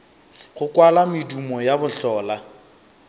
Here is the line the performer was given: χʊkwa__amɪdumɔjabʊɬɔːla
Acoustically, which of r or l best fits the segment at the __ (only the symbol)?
l